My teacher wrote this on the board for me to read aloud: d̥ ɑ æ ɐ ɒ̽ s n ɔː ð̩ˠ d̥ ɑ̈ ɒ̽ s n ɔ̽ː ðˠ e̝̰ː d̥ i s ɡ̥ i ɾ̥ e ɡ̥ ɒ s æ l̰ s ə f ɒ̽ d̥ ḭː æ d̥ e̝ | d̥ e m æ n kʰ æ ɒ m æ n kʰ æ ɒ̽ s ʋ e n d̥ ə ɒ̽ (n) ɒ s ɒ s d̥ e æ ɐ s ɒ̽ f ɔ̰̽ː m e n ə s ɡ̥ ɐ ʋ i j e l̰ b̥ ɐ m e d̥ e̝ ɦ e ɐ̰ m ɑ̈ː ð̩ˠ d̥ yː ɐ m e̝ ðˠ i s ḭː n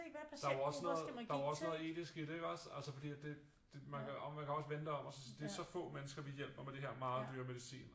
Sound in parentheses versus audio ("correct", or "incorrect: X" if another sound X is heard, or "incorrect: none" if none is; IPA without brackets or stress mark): incorrect: m